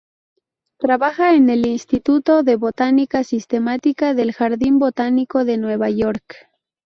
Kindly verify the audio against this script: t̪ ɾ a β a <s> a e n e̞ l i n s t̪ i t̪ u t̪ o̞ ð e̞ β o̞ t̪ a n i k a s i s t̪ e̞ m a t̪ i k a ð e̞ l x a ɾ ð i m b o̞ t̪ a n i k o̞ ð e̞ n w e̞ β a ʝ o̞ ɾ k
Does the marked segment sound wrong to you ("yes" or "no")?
yes